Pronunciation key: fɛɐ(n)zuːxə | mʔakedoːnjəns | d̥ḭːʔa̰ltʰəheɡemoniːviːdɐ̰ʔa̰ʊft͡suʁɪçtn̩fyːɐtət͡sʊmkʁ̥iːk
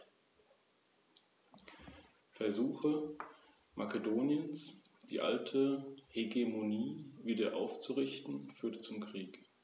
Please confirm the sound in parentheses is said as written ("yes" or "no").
no